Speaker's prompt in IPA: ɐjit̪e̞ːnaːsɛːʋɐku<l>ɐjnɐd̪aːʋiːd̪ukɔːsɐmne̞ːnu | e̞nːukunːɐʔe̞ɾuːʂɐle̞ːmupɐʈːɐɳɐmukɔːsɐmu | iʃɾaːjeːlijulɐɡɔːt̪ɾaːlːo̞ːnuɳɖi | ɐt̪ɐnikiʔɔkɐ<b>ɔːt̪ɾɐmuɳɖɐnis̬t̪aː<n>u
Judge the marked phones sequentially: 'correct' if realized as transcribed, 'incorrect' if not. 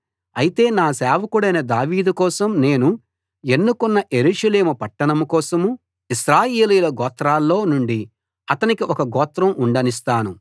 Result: incorrect, incorrect, correct

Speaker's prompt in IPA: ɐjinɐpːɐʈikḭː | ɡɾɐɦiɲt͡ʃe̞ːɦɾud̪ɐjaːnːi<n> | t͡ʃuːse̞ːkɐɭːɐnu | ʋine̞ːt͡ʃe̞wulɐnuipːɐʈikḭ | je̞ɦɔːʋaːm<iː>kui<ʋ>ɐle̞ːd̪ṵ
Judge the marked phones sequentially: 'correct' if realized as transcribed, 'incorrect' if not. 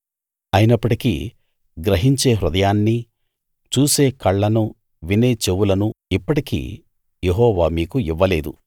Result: incorrect, correct, incorrect

